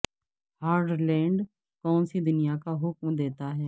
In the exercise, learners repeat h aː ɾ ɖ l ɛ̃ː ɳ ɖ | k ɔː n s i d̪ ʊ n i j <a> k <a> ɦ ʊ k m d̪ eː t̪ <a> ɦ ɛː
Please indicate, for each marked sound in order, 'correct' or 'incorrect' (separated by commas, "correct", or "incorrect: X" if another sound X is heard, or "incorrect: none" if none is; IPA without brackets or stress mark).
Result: correct, correct, correct